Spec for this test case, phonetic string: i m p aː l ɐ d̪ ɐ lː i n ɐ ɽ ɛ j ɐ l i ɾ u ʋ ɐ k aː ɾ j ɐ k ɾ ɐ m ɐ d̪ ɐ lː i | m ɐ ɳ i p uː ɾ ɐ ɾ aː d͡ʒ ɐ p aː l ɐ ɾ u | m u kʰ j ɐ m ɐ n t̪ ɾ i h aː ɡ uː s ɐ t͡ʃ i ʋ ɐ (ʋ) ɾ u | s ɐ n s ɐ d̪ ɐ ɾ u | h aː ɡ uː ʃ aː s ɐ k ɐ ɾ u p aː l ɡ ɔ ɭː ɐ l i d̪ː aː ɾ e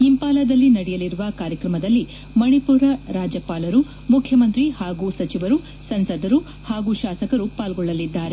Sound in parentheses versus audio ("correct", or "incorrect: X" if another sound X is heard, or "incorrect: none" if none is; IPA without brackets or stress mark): incorrect: none